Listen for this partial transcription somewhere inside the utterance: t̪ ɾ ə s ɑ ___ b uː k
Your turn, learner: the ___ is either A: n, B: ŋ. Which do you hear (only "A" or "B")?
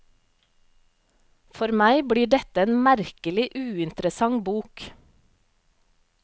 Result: B